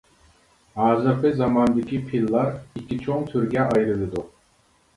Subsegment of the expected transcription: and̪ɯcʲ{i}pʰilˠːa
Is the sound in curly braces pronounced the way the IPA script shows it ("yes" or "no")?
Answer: yes